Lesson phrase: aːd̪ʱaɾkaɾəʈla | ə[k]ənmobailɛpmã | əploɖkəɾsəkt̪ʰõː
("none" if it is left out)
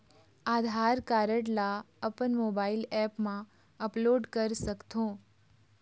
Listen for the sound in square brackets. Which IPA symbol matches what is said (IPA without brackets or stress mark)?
p